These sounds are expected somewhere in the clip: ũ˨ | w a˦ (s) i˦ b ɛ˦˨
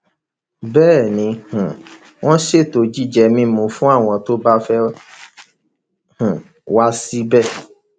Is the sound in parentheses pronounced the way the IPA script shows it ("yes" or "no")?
yes